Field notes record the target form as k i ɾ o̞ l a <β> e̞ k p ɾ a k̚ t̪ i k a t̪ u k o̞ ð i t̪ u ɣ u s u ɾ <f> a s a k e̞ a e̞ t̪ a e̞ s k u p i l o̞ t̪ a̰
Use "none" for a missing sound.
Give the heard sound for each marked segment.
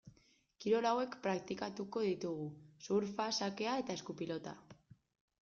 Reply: w, f

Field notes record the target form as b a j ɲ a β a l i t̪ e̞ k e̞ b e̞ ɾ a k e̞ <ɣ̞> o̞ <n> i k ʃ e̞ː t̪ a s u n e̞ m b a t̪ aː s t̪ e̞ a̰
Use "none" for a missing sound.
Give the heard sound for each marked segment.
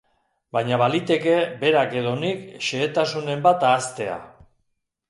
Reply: ð̞, n

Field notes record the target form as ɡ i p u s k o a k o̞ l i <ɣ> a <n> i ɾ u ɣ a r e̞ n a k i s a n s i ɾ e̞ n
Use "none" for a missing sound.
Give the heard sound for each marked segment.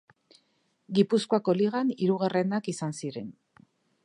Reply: ɣ, n

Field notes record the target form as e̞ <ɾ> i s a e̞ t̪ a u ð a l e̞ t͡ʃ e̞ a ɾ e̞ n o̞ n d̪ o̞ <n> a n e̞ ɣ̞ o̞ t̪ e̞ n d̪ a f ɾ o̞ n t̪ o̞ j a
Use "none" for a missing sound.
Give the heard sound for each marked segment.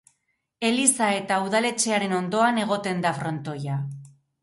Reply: l, none

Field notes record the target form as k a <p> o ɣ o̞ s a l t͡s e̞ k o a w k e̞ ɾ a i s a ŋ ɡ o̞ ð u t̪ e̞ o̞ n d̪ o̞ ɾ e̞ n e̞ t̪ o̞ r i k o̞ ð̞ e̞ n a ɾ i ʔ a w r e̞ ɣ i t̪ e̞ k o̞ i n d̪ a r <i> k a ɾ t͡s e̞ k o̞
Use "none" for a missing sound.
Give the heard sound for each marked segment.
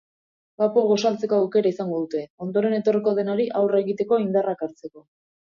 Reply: p, a

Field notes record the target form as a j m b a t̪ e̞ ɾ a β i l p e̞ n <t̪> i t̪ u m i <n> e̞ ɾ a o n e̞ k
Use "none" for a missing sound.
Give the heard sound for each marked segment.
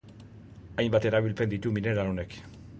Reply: d̪, n

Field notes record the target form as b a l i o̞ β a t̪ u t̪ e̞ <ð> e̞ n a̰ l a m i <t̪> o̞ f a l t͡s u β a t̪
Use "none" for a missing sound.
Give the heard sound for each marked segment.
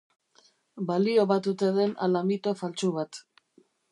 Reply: ð, t̪

